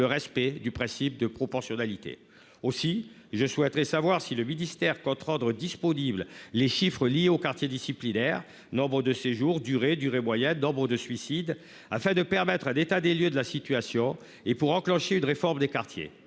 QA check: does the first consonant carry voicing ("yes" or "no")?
yes